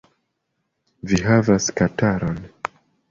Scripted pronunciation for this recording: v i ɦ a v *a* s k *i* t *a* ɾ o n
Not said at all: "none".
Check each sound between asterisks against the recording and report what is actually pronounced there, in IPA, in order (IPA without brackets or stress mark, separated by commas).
a, a, a